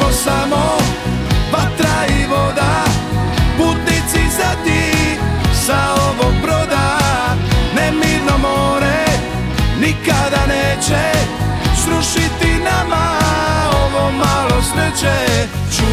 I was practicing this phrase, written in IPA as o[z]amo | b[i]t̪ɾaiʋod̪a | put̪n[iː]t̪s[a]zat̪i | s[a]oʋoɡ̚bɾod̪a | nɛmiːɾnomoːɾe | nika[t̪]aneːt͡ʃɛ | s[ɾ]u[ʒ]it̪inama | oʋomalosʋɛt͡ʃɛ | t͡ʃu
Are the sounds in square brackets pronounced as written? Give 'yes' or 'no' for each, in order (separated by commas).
no, no, no, no, yes, no, yes, no